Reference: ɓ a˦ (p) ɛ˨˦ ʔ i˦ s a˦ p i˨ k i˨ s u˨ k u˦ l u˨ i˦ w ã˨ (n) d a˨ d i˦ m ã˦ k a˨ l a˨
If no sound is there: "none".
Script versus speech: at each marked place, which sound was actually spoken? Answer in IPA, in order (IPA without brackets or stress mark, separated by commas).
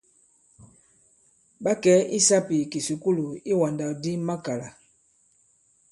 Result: k, n